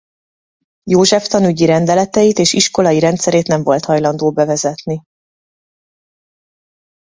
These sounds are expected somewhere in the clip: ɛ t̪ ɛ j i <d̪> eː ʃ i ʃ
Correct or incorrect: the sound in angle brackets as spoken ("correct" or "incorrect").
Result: incorrect